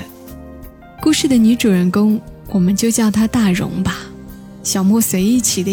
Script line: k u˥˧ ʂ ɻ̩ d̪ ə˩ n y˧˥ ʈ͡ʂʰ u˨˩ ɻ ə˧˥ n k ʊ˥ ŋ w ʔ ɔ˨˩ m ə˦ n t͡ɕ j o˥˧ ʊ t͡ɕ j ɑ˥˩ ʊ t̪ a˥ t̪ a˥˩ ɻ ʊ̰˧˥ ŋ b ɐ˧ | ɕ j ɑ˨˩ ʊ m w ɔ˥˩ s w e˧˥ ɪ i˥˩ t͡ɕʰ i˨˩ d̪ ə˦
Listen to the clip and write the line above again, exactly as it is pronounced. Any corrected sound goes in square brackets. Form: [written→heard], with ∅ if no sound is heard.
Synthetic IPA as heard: k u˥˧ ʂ ɻ̩ d̪ ə˩ n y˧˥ [ʈ͡ʂʰ→ʈ͡ʂ] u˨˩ ɻ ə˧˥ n k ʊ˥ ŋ w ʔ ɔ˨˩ m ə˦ n t͡ɕ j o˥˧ ʊ t͡ɕ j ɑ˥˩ ʊ [t̪→t̪ʰ] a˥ t̪ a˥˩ ɻ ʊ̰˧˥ ŋ b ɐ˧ | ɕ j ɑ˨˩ ʊ m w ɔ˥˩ s w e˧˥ ɪ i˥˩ t͡ɕʰ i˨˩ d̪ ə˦